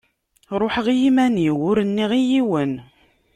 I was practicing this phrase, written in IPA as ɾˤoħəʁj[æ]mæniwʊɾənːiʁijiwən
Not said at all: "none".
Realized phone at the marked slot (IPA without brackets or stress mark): i